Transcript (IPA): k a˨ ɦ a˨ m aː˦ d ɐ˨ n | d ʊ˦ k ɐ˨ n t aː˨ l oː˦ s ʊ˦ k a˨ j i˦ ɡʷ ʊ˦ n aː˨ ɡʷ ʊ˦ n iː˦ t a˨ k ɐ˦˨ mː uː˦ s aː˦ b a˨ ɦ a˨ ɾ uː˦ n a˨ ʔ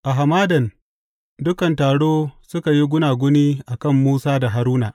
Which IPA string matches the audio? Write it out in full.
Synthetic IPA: ʔ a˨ ɦ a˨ m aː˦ d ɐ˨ n | d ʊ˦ k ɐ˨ n t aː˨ ɽ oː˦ s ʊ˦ k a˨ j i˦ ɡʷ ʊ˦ n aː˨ ɡʷ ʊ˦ n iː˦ ʔ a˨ k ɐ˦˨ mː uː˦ s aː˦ d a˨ ɦ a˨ ɾ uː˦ n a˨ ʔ